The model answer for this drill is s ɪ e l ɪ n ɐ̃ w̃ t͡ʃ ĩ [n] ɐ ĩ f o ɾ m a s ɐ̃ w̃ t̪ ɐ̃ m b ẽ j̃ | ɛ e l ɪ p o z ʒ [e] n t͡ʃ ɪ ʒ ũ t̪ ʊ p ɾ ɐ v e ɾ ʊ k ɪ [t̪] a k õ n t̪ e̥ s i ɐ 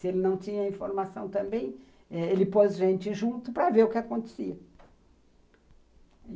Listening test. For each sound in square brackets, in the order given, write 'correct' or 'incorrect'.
incorrect: ɲ, incorrect: ẽ, incorrect: none

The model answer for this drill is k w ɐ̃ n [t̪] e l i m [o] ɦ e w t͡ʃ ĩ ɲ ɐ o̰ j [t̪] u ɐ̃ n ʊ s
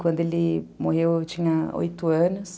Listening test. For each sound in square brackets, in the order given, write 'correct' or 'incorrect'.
incorrect: d̪, correct, correct

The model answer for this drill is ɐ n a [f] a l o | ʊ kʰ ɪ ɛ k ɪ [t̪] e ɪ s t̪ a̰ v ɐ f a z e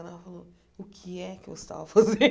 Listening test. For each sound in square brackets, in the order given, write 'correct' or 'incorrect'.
correct, incorrect: none

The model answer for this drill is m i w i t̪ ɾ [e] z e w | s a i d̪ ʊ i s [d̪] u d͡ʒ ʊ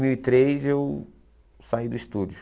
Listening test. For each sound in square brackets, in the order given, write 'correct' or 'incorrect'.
correct, incorrect: t̪

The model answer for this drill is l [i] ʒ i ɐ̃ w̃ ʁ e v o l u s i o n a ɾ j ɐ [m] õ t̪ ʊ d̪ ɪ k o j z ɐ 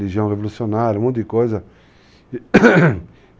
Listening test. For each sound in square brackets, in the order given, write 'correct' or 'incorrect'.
correct, correct

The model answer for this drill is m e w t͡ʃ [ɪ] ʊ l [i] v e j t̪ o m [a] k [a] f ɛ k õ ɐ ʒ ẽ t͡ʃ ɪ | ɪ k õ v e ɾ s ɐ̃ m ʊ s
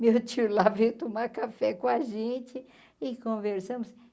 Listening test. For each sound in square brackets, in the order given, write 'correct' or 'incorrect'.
incorrect: i, incorrect: a, correct, correct

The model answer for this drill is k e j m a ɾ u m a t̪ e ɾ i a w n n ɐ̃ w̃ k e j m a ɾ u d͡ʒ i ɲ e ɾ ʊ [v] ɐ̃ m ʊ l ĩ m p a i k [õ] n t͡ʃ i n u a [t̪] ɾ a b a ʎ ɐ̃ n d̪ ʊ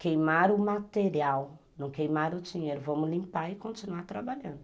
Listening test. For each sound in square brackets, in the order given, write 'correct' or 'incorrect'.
correct, correct, correct

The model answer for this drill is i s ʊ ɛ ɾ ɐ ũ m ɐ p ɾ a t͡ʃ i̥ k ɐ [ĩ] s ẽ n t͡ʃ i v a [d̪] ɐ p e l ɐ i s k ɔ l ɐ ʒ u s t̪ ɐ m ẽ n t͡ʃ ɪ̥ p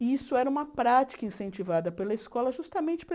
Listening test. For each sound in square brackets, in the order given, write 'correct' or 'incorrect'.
correct, correct

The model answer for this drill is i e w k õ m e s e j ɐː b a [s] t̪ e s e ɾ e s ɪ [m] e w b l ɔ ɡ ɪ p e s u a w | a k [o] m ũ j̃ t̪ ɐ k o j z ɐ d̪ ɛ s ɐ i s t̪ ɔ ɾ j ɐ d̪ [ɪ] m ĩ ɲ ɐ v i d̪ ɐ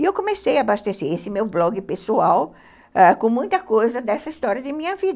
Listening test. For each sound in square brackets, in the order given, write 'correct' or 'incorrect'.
correct, correct, incorrect: õ, correct

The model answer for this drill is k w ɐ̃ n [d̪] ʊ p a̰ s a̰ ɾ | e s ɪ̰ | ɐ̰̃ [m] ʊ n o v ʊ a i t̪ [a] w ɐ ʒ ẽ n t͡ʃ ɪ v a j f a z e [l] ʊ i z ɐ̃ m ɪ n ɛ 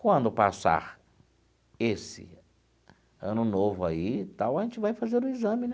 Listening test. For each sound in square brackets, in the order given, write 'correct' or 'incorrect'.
correct, incorrect: n, correct, incorrect: ɾ

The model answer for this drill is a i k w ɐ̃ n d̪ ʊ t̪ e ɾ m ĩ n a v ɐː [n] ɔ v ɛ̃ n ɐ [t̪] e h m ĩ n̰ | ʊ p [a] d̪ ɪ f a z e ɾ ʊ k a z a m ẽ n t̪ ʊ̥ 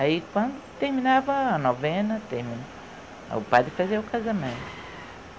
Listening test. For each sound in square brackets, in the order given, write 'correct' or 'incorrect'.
correct, correct, correct

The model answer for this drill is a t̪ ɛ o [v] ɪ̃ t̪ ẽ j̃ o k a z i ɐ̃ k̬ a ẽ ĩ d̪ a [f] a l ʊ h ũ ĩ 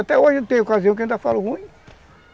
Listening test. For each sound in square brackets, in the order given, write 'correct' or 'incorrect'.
incorrect: ʒ, correct

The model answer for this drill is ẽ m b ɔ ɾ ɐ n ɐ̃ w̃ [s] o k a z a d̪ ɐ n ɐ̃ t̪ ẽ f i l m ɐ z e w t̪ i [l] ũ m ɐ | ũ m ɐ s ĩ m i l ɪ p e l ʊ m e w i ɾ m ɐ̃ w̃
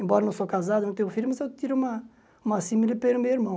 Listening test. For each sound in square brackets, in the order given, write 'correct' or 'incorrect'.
correct, incorrect: ɾ

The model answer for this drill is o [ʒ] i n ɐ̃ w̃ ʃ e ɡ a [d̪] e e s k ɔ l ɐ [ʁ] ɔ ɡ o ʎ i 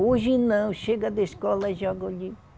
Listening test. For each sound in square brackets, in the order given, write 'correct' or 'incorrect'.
correct, correct, incorrect: ʒ

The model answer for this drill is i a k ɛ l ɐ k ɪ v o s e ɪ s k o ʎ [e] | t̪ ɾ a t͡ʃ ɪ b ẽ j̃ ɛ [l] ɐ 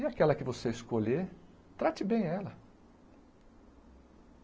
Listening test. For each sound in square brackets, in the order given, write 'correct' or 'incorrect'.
correct, correct

